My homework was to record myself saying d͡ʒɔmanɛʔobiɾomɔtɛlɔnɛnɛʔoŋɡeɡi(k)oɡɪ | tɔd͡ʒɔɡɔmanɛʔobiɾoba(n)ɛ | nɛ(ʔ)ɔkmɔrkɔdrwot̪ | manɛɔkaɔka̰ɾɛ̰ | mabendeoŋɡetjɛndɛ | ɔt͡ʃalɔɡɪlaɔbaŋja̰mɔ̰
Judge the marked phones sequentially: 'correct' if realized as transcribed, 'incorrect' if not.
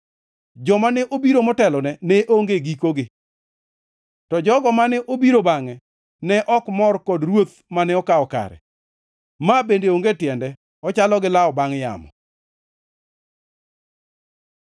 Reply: correct, incorrect, correct

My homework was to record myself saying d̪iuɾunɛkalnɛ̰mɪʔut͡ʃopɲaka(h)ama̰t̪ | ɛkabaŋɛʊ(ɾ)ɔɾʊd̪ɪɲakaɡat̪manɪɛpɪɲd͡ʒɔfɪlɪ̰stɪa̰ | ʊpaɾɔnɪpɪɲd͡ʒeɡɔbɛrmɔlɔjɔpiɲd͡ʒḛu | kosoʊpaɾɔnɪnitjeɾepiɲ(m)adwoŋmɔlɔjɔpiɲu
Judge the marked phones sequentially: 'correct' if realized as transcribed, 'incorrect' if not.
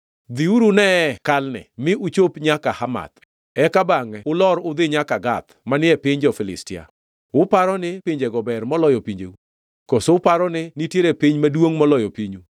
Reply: correct, incorrect, correct

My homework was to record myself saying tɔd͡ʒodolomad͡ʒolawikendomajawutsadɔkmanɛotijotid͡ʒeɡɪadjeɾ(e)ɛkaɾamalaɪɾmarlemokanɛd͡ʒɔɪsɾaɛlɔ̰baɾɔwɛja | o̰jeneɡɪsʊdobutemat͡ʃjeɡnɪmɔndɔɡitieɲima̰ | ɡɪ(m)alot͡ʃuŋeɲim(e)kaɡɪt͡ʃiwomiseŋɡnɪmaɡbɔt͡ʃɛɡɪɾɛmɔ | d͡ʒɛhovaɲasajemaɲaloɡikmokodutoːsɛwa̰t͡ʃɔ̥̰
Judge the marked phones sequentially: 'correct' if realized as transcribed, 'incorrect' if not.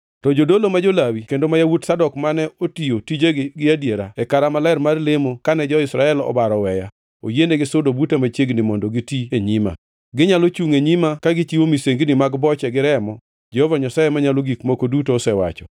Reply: incorrect, incorrect, incorrect

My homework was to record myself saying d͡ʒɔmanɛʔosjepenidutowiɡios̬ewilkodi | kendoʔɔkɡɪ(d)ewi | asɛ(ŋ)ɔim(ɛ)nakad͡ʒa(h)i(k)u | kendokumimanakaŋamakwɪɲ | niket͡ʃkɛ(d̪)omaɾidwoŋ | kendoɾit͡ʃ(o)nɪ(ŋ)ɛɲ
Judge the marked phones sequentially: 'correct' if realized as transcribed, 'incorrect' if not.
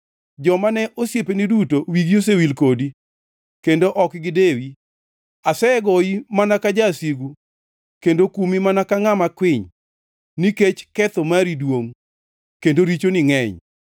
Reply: correct, incorrect, incorrect, incorrect, incorrect, incorrect, correct, correct

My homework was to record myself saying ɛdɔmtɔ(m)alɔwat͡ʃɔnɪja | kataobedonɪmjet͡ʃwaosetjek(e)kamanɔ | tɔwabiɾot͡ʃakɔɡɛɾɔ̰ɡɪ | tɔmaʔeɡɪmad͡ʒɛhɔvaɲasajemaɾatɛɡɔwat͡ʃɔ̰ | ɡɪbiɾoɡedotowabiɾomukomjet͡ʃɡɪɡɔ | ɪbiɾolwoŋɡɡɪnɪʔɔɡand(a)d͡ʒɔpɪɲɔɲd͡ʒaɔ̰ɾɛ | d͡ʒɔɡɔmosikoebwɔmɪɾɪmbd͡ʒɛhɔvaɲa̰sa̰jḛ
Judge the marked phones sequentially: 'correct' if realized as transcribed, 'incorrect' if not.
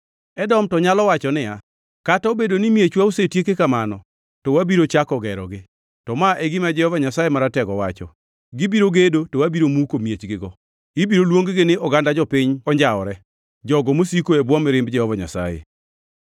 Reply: incorrect, correct, correct

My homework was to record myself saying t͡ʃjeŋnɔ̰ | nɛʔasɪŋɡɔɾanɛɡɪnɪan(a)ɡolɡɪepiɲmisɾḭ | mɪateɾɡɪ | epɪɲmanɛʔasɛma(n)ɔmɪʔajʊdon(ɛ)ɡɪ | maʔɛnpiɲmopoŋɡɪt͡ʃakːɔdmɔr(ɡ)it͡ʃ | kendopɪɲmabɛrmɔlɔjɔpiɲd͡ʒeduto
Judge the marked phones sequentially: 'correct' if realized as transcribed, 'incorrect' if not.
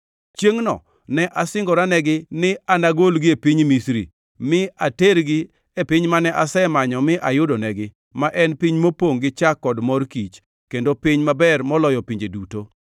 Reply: correct, incorrect, correct, incorrect

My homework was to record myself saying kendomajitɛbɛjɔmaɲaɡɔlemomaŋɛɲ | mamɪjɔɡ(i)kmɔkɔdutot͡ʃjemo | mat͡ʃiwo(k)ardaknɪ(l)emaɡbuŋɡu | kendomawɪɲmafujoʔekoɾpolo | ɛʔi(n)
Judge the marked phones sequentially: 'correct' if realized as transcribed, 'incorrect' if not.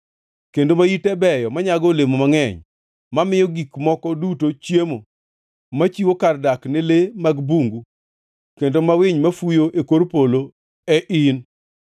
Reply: correct, correct, correct, correct

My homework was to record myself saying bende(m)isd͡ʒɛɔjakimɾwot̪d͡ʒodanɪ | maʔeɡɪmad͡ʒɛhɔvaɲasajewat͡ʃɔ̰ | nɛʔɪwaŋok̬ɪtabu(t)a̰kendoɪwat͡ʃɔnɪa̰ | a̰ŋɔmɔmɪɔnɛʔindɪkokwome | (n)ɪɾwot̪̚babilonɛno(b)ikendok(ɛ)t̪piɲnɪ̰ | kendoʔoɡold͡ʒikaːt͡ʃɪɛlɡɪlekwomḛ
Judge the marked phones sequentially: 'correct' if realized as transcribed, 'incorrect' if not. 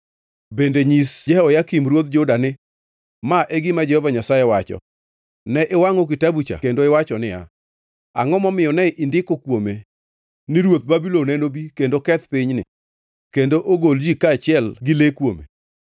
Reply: incorrect, incorrect, correct, correct, correct

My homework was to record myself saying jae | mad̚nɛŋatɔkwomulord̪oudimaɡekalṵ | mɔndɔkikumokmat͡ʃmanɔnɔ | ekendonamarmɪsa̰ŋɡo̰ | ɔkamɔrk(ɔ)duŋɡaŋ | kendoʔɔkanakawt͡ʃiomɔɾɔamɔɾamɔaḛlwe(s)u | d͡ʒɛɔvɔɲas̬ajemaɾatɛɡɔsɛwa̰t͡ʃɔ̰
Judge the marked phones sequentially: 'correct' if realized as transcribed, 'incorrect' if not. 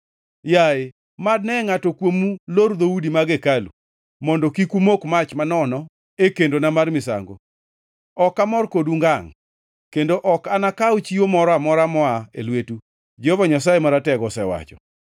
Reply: incorrect, incorrect

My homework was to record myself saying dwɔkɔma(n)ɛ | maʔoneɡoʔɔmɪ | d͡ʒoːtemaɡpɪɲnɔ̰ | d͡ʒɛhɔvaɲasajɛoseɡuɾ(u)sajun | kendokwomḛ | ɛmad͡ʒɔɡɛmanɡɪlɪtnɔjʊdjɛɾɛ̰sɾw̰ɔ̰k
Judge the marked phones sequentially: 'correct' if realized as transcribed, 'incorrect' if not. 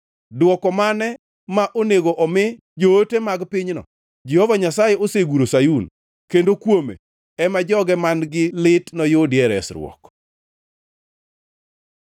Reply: correct, incorrect

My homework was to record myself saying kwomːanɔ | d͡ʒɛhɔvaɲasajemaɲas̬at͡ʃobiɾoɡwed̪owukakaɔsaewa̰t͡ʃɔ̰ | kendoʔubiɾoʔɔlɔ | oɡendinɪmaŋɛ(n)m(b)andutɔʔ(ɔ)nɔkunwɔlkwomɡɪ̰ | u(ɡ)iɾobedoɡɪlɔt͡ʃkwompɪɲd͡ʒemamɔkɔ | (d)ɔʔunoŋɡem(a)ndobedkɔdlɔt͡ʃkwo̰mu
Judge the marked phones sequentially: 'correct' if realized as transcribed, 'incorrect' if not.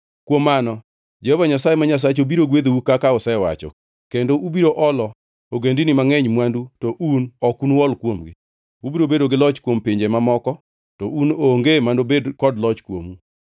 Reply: incorrect, incorrect, incorrect, incorrect, incorrect, correct

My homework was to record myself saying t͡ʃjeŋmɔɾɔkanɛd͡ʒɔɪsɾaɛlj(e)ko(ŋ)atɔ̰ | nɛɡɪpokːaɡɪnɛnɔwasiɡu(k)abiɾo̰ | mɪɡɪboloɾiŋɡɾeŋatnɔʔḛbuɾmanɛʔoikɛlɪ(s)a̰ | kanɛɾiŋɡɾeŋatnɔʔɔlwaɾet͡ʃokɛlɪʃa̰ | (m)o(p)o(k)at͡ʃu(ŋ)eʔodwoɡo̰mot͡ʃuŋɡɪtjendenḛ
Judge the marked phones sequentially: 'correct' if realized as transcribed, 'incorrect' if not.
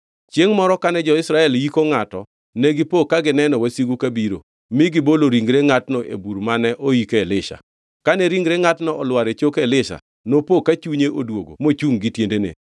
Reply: incorrect, correct, correct, incorrect, incorrect, correct, correct, incorrect

